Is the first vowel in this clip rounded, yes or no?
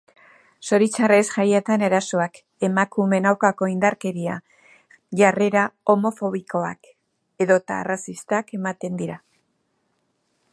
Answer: yes